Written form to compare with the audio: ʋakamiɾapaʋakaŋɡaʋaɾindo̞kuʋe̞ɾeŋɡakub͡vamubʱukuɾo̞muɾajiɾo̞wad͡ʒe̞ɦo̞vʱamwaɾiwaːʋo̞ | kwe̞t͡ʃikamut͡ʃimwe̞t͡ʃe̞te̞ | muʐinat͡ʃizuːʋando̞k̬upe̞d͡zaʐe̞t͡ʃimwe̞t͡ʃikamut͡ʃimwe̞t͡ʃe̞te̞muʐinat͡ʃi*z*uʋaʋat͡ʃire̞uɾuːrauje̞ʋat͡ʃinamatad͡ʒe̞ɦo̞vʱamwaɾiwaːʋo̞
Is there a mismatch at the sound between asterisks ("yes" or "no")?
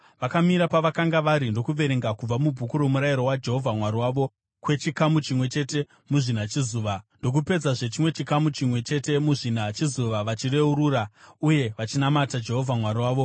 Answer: no